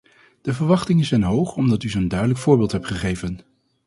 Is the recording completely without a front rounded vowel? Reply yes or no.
no